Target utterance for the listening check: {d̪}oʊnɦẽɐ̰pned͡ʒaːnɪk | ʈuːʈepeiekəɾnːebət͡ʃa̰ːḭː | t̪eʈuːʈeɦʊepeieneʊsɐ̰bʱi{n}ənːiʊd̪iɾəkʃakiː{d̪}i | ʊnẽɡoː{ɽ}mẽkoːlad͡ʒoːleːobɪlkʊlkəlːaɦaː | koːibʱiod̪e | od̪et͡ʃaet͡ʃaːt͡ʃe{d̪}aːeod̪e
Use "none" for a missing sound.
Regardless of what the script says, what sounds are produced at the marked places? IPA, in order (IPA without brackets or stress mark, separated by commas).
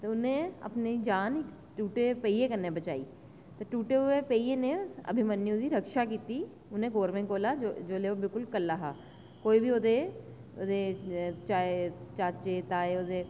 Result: t̪, m, t̪, ɾ, t̪